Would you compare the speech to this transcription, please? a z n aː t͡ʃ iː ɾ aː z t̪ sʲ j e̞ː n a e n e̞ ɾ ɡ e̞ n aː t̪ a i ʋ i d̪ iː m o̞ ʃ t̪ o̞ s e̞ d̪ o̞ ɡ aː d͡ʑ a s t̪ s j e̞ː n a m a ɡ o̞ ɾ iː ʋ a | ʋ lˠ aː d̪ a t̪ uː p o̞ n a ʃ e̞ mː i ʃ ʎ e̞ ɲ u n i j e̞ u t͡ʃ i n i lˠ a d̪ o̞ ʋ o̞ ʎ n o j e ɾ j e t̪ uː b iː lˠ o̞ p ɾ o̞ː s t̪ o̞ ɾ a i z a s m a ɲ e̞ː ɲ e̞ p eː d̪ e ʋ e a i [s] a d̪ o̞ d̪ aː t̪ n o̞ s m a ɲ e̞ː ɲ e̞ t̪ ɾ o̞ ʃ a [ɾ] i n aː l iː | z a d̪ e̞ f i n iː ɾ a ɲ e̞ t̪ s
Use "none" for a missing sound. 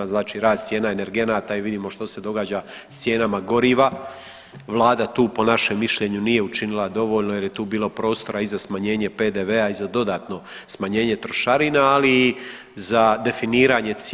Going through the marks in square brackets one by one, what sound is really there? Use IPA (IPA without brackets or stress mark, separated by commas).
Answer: z, ɾ